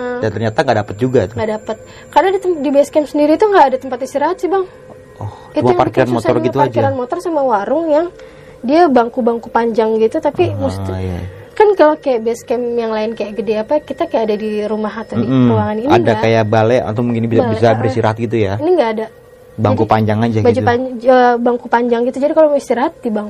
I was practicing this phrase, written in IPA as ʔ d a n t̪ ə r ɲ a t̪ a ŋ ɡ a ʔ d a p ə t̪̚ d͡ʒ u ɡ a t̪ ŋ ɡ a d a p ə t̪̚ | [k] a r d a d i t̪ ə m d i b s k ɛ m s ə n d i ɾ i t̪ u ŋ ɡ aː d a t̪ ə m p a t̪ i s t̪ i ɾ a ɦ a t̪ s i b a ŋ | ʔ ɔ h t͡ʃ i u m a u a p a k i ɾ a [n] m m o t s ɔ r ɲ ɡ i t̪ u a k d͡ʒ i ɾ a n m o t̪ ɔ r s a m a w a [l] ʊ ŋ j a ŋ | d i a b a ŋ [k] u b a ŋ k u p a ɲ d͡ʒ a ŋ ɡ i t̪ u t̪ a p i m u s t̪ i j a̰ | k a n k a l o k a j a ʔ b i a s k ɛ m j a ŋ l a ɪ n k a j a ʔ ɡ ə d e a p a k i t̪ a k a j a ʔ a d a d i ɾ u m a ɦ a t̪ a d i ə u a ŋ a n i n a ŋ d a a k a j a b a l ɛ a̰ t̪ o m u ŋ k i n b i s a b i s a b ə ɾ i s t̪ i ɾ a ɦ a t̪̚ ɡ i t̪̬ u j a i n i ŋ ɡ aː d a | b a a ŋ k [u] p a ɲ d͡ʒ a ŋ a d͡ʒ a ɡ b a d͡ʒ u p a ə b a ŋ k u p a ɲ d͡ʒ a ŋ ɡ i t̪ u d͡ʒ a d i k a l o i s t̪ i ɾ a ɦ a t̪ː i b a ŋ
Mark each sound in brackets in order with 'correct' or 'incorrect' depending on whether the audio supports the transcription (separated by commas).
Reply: correct, correct, incorrect, correct, correct